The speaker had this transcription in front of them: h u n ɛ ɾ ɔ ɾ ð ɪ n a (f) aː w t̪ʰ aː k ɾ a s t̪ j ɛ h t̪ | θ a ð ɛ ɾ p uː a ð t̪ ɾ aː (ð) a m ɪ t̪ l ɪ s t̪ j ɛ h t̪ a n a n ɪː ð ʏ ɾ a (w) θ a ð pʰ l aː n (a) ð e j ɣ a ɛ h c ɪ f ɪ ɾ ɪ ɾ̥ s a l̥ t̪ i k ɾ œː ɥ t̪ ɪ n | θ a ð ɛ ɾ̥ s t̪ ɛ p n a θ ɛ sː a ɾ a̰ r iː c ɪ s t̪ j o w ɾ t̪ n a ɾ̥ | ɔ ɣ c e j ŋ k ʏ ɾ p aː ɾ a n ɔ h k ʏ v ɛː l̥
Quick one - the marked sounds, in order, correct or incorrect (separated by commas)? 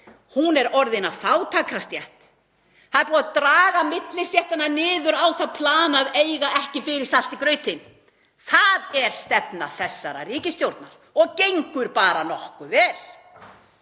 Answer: correct, incorrect, correct, correct